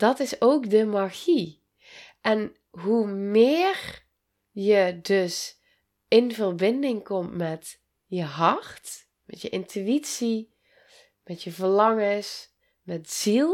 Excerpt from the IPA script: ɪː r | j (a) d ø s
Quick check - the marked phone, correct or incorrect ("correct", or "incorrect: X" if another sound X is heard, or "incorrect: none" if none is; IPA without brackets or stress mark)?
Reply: incorrect: ə